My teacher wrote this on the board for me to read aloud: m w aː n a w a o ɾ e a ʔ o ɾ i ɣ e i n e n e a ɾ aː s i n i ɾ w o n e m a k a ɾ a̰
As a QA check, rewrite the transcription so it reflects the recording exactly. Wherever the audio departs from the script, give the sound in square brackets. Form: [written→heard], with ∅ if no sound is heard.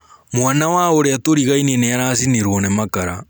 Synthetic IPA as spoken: m w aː n a w a o ɾ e a [ʔ→t] o ɾ i ɣ [e→a] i n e n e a ɾ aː s i n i ɾ w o n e m a k a ɾ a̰